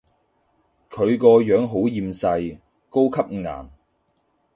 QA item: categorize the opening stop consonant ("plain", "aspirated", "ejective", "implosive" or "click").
aspirated